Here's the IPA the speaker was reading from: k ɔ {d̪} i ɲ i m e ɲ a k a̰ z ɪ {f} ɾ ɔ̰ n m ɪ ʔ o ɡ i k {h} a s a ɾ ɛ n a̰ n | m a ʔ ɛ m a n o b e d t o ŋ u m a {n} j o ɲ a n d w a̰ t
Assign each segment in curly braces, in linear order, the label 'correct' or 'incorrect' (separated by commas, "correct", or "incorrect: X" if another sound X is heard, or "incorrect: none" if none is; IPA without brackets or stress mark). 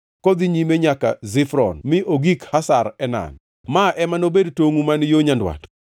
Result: correct, correct, correct, correct